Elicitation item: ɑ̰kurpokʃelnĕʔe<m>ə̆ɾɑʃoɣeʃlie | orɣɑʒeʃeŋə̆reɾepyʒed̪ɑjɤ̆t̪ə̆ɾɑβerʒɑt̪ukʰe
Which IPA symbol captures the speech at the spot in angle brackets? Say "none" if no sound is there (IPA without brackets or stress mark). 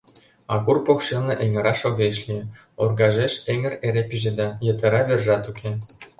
ŋ